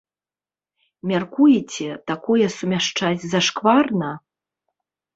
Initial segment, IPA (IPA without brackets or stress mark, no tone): mʲ